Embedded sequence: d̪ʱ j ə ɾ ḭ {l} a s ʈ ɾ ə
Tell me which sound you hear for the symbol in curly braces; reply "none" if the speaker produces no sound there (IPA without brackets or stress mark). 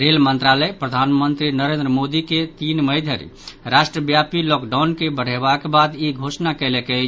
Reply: ɾ